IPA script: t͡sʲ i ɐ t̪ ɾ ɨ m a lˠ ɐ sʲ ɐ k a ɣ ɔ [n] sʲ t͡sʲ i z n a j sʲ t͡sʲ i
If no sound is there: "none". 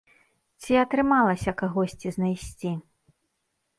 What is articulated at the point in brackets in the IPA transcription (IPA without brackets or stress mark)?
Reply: none